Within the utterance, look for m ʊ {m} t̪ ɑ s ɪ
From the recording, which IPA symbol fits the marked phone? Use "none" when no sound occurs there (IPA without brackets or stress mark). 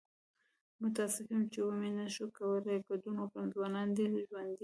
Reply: none